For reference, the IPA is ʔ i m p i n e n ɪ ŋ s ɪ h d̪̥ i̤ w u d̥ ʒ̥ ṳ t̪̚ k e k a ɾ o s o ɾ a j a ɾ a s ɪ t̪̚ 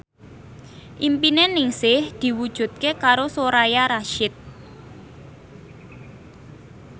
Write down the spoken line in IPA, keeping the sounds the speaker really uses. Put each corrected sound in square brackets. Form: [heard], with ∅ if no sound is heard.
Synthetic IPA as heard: ʔ i m p i n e n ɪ ŋ s ɪ h d̪̥ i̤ w u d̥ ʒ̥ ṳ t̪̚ k e k a ɾ o s o ɾ a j a ɾ a [ʃ] ɪ t̪̚